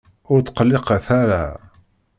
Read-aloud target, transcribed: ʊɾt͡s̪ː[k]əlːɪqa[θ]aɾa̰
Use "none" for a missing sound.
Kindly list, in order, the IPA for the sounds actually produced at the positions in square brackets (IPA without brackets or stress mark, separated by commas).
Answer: q, θ